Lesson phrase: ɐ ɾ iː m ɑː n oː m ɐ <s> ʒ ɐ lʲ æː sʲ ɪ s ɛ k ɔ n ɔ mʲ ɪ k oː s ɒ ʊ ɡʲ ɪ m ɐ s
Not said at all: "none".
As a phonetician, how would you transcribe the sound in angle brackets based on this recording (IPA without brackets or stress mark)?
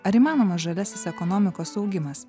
s